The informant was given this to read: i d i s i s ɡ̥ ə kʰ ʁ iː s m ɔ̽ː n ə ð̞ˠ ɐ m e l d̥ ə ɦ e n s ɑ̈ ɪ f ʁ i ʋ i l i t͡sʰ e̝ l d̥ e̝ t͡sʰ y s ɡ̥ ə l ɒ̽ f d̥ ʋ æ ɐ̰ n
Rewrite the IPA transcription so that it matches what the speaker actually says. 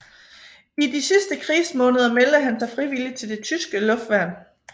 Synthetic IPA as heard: i d i s i s d̥ ə kʰ ʁ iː s m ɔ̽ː n ə ð̞ˠ ɐ m e l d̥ ə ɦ æ n s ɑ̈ ɪ f ʁ i ʋ i l i t͡sʰ e̝ l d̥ e̝ t͡sʰ y s ɡ̥ ə l ɔ̽ f d̥ ʋ æ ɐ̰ n